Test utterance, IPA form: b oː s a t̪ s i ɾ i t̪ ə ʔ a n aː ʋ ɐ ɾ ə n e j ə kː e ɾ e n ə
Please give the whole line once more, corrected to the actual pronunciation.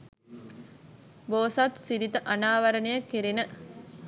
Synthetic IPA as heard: b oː s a t̪ s i ɾ i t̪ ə ʔ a n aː ʋ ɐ ɾ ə n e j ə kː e ɾ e n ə